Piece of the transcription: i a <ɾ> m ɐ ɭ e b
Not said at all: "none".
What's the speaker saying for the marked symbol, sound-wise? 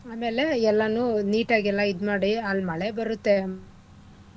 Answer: l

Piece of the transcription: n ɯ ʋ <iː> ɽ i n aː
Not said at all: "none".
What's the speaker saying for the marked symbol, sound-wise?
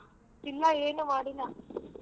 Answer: aː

